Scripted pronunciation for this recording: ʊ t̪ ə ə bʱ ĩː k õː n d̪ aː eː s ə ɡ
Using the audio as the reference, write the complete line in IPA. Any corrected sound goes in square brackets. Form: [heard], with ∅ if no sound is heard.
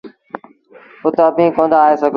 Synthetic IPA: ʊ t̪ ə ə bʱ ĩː k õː n d̪ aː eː s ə ɡ